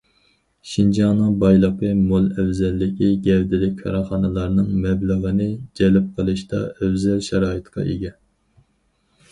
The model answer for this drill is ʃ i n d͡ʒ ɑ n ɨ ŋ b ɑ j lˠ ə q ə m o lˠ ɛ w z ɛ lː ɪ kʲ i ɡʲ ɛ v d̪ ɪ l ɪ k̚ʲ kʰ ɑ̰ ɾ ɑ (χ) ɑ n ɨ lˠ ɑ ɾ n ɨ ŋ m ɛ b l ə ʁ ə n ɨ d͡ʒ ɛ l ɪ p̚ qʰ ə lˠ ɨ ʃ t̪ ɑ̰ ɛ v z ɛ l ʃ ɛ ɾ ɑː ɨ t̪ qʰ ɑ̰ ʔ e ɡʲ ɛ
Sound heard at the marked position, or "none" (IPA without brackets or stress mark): χ